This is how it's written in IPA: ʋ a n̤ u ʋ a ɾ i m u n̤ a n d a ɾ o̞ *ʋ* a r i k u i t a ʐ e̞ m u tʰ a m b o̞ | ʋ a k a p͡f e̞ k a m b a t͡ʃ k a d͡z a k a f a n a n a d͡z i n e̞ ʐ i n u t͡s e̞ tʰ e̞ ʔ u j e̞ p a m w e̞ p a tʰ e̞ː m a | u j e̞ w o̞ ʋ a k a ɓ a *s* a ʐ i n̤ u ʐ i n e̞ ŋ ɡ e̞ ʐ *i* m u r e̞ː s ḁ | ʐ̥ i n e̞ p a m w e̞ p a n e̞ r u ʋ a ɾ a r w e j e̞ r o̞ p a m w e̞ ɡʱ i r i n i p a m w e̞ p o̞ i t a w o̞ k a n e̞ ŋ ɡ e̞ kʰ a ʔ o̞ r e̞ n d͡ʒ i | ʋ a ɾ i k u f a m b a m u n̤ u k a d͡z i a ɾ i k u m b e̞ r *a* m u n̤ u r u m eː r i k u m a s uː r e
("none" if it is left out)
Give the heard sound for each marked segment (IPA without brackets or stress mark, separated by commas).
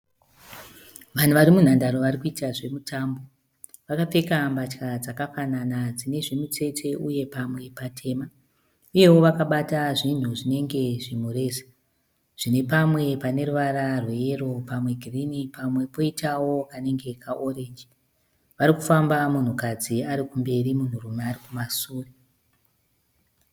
ʋ, t, i, i